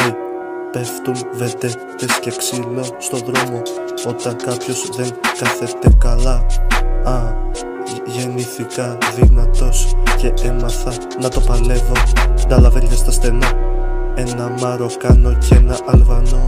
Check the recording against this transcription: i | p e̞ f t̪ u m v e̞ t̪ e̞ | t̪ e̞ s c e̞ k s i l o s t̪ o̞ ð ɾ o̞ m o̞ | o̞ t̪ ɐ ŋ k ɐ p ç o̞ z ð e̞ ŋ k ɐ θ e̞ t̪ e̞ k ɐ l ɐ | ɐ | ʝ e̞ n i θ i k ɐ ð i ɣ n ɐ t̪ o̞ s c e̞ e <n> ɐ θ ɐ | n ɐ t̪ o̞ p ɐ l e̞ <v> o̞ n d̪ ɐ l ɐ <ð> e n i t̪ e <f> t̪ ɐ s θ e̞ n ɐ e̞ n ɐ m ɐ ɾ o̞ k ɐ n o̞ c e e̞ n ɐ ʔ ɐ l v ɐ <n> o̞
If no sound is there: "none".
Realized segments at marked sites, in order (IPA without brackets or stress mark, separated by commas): m, v, v, s, n